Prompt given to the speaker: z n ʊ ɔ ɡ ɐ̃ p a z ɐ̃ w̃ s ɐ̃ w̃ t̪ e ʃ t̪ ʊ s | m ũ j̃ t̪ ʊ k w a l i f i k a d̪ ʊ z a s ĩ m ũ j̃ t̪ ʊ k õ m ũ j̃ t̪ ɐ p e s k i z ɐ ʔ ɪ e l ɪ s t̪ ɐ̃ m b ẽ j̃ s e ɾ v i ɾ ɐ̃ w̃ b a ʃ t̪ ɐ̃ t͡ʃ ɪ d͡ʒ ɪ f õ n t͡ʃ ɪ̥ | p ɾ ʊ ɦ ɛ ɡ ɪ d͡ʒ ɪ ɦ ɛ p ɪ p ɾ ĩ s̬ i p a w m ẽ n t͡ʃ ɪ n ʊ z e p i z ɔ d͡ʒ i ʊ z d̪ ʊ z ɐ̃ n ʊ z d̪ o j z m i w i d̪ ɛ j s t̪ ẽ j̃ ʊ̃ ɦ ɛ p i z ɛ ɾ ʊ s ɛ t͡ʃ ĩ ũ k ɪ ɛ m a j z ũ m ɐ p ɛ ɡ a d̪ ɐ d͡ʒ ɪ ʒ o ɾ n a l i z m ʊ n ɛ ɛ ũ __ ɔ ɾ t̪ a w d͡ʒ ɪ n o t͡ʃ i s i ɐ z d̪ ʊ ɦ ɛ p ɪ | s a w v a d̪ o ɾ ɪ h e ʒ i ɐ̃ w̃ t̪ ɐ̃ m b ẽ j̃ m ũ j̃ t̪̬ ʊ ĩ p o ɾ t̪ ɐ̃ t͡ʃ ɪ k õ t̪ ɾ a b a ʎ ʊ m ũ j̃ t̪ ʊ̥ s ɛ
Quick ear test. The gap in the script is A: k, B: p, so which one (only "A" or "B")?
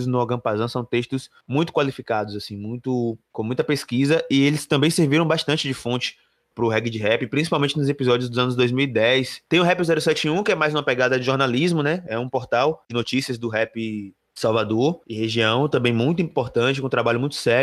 B